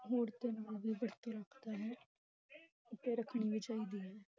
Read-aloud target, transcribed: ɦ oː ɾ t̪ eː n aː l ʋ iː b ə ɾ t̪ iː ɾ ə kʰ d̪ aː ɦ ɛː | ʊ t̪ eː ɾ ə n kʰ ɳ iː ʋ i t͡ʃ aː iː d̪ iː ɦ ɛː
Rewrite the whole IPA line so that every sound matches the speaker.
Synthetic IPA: ɦ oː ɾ t̪ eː n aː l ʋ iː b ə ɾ t̪ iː ɾ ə kʰ d̪ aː ɦ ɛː | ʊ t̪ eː ɾ ə kʰ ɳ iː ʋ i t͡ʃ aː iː d̪ iː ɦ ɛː